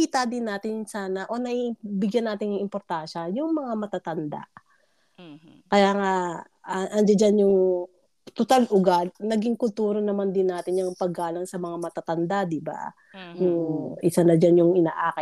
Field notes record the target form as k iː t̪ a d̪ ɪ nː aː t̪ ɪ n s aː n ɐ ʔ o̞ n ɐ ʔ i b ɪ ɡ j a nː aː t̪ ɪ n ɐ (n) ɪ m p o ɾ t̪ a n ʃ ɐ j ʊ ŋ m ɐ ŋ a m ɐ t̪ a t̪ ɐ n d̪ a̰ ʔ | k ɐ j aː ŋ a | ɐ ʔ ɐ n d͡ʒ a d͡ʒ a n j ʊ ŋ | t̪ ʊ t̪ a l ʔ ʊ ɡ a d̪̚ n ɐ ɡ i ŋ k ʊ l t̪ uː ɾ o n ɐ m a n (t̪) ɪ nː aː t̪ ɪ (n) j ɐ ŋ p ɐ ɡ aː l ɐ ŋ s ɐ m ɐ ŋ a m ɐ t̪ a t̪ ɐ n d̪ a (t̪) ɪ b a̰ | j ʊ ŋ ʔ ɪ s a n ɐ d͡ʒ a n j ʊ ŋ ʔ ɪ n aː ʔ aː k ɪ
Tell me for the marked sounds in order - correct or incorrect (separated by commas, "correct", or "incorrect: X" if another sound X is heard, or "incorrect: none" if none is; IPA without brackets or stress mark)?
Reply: incorrect: ŋ, incorrect: d̪, correct, incorrect: d̪